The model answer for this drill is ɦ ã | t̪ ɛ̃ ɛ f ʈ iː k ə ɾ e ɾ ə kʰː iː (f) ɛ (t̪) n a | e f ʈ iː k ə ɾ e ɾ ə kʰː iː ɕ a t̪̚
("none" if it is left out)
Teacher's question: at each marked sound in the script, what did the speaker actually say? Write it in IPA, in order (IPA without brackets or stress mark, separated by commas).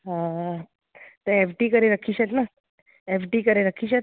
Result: ɕ, t̪